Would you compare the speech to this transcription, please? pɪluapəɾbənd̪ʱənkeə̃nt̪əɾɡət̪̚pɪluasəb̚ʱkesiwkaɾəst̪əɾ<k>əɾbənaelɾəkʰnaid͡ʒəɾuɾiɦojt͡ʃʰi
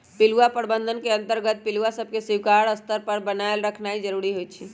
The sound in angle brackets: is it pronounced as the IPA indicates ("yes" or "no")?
no